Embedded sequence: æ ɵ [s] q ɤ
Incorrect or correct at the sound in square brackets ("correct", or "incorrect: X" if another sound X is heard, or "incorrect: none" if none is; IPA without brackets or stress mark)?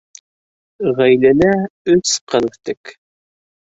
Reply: correct